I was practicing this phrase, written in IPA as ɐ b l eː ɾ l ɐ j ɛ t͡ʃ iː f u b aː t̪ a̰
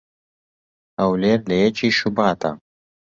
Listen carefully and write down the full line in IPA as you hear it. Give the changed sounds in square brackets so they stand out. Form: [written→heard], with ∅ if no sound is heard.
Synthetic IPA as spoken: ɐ [b→w] l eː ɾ l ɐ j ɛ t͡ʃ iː [f→ʃ] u b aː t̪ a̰